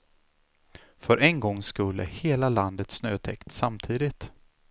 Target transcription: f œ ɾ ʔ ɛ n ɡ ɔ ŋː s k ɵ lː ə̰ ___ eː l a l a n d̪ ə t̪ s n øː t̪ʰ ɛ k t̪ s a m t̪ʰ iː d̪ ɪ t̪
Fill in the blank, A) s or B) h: B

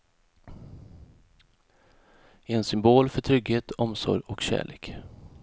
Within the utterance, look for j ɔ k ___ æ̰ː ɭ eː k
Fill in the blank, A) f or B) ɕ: B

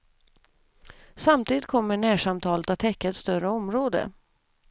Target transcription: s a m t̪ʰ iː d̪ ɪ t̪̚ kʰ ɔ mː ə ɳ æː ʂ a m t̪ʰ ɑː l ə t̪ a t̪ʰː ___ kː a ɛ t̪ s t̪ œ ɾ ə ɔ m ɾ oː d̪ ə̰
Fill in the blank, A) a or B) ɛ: B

